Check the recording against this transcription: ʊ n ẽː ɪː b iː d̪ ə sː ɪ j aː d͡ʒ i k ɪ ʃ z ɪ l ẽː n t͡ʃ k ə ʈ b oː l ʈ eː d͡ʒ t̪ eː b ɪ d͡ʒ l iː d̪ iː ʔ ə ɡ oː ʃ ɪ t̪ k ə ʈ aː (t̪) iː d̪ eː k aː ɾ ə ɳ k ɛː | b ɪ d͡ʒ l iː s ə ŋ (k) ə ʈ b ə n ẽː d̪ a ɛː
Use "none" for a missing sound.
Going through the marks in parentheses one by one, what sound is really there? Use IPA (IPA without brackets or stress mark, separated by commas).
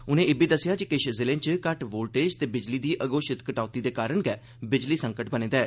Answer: t̪, k